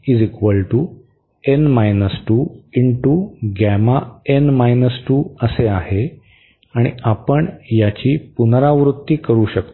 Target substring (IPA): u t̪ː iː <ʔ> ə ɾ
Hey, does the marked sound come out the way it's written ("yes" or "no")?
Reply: no